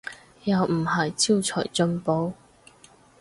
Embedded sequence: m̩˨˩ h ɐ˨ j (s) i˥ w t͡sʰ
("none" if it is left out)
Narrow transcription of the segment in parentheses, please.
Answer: t͡s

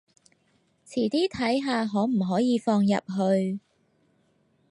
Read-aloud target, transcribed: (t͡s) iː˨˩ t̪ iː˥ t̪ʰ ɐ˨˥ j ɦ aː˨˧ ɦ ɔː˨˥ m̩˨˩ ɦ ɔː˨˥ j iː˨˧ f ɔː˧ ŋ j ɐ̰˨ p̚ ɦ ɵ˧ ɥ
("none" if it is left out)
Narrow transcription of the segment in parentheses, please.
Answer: t͡sʰ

